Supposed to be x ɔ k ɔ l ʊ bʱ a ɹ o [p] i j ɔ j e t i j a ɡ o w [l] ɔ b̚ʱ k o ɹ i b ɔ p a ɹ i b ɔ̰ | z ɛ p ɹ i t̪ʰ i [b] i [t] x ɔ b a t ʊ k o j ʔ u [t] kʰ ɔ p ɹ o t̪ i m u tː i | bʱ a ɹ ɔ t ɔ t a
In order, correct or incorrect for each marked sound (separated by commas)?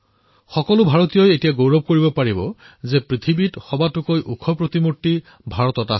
incorrect, incorrect, correct, correct, incorrect